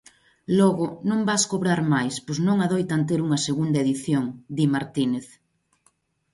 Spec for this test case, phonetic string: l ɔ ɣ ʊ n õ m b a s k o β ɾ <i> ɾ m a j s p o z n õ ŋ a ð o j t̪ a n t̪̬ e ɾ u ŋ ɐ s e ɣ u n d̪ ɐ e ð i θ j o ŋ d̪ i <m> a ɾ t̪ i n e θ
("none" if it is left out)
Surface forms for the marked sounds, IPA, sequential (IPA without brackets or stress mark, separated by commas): a, m